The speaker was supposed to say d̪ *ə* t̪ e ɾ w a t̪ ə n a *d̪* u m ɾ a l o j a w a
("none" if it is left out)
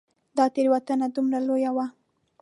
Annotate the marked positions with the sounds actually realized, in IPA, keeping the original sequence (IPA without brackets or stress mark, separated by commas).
ɑ, d̪